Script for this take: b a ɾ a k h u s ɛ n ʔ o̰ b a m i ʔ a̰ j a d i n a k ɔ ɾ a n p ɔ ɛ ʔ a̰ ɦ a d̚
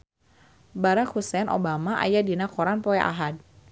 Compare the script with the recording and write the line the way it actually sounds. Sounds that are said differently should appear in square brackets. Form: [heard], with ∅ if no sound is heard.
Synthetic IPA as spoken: b a ɾ a k h u s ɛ n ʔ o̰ b a m [a] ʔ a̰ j a d i n a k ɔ ɾ a n p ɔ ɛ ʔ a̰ ɦ a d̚